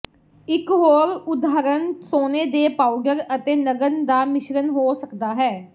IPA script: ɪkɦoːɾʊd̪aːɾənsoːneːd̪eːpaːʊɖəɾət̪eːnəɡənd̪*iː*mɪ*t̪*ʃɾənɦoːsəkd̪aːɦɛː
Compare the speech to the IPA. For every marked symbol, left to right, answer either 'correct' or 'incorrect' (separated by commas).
incorrect, incorrect